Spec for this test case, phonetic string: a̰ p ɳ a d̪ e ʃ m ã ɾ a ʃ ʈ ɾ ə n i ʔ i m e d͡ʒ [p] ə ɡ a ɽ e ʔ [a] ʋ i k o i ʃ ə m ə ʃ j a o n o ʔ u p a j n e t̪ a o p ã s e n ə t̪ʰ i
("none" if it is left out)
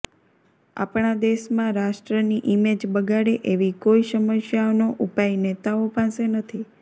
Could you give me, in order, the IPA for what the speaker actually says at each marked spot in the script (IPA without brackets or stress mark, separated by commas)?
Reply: b, e